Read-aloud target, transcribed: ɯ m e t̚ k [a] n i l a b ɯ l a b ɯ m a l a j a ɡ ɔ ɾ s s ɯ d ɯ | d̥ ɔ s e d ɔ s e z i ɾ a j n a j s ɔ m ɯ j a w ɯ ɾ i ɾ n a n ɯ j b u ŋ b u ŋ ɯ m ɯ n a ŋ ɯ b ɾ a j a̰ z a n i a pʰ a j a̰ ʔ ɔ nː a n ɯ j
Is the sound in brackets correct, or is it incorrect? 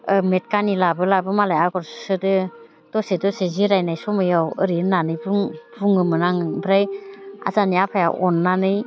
correct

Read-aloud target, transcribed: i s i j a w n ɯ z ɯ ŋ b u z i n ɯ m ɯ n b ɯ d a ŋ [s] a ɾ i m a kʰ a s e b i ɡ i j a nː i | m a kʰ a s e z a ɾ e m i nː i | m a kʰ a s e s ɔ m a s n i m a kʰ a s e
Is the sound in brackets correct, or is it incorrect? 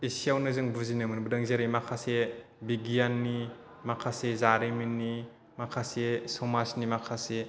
incorrect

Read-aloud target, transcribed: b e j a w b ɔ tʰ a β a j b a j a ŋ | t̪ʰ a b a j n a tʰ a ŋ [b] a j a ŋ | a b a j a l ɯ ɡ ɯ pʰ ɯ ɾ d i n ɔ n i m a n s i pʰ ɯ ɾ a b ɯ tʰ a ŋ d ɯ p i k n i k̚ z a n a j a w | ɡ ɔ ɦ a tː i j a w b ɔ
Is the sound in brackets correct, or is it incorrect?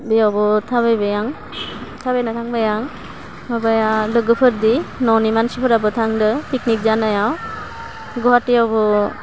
correct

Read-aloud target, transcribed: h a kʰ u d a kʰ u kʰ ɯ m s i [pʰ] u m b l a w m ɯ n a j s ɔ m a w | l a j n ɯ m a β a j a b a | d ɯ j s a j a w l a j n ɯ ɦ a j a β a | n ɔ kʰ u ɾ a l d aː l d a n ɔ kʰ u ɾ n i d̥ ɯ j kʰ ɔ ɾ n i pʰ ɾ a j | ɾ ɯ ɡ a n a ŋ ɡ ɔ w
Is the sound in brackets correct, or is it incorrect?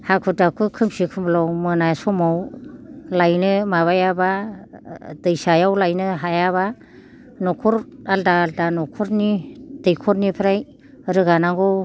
incorrect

